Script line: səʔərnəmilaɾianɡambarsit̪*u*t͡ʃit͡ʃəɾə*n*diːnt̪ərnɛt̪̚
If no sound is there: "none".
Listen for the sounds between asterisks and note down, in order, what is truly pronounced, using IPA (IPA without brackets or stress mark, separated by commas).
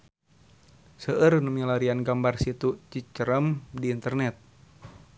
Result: u, m